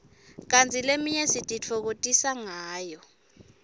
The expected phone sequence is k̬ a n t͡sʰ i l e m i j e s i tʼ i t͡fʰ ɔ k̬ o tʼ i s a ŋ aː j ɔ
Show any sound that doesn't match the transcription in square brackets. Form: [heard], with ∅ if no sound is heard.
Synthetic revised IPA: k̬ a n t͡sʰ i l e m i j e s i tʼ i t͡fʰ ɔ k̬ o tʼ i s a ŋ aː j ɔ